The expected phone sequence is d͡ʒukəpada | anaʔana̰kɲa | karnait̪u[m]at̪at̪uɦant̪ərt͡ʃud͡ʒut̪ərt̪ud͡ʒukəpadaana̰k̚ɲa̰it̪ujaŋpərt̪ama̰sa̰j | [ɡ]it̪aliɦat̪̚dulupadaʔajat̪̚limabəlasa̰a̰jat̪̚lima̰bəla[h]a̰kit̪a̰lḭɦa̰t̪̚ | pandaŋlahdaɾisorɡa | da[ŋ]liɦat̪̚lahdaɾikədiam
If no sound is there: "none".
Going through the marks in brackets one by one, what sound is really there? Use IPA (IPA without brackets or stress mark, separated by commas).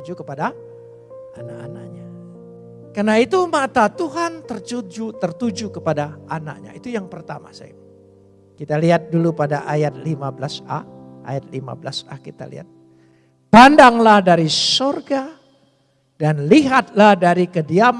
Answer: m, k, s, n